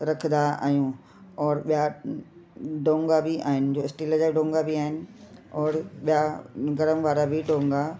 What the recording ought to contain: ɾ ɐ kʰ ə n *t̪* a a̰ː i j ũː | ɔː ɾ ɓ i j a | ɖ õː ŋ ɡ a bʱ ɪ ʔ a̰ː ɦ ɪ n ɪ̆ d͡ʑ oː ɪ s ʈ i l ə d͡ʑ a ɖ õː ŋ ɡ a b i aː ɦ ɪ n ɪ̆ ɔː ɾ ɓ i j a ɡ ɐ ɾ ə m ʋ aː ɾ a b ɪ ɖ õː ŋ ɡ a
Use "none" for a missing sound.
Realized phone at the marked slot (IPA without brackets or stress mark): d̪